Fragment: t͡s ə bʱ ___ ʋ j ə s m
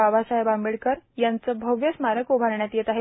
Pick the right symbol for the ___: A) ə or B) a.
A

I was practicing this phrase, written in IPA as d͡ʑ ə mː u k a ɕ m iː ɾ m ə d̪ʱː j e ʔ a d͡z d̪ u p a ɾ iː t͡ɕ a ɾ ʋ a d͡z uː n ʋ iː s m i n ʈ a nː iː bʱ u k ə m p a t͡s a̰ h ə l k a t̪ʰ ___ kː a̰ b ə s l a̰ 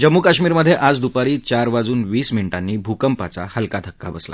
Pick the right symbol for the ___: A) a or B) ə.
B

